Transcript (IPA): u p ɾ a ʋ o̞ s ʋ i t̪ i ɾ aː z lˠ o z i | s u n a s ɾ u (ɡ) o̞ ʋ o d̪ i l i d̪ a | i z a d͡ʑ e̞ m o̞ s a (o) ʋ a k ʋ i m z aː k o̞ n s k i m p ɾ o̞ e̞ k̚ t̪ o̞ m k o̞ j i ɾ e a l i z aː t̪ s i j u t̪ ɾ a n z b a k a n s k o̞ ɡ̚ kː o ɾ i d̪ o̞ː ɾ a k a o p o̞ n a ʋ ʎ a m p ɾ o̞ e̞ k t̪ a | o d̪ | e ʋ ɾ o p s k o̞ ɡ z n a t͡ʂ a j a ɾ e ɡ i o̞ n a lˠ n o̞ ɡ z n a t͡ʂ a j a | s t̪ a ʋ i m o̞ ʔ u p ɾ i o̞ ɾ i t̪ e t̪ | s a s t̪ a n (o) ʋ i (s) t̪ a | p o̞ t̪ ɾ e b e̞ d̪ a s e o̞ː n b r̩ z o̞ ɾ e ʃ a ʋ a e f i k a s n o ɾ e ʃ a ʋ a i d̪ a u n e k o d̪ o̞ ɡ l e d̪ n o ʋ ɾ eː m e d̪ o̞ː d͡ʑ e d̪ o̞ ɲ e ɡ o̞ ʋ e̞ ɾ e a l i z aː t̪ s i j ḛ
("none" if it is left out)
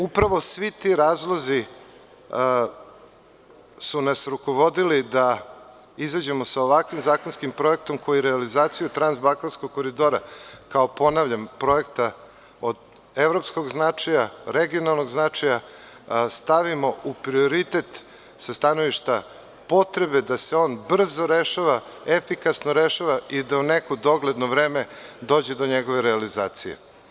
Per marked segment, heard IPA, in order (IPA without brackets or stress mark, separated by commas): k, o, o, ʃ